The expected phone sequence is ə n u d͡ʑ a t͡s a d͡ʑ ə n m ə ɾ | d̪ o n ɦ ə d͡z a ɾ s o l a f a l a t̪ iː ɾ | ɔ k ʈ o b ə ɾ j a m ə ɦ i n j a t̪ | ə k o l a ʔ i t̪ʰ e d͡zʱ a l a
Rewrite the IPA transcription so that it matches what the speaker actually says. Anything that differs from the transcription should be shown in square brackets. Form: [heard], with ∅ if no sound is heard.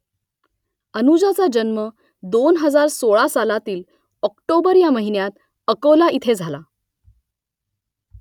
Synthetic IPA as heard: ə n u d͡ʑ a t͡s a d͡ʑ ə n m ə [∅] | d̪ o n ɦ ə d͡z a ɾ s o [ɭ] a [s] a l a t̪ iː [l] | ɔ k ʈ o b ə ɾ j a m ə ɦ i n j a t̪ | ə k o l a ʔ i t̪ʰ e d͡zʱ a l a